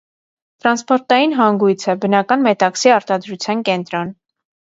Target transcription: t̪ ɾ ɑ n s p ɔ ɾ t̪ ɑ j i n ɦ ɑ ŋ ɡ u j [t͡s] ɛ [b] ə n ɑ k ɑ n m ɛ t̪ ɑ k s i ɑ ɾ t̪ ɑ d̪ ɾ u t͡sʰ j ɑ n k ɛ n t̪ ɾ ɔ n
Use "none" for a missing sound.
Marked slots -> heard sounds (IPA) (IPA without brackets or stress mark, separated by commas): t͡sʰ, b